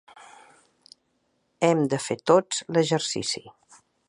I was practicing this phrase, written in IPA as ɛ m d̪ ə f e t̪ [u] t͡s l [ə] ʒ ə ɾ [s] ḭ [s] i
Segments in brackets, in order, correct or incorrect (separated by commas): incorrect, correct, correct, correct